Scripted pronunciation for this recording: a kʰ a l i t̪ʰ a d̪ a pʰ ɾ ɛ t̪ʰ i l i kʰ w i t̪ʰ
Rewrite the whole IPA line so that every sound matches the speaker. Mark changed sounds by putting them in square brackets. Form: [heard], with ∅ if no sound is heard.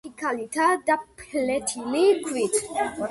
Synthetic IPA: [i] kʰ a l i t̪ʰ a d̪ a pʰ [l] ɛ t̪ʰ i l i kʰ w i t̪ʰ